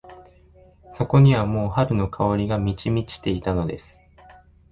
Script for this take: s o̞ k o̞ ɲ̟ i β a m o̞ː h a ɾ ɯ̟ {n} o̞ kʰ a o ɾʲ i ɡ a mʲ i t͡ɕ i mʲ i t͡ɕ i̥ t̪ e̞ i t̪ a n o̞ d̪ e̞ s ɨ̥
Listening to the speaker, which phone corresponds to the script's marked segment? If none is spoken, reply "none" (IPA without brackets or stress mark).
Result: n